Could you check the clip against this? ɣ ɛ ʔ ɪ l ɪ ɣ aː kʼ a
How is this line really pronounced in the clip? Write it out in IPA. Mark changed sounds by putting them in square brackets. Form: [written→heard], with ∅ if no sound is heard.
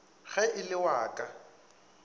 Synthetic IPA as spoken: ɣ ɛ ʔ ɪ l ɪ [ɣ→w] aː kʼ a